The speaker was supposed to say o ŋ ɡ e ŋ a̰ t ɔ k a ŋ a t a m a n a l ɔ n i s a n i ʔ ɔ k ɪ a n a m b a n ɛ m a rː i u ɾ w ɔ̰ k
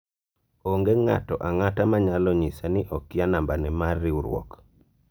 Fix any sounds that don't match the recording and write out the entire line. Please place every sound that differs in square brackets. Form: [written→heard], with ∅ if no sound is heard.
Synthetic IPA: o ŋ ɡ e ŋ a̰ t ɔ [k→ʔ] a ŋ a t a m a [n→ɲ] a l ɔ [n→ɲ] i s a n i ʔ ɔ k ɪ a n a m b a n ɛ m a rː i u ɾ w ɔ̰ k